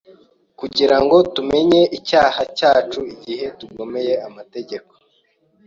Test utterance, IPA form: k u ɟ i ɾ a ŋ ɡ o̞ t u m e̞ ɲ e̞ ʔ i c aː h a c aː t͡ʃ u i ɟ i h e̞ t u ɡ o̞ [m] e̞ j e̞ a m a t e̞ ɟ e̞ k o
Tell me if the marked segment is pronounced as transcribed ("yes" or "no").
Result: yes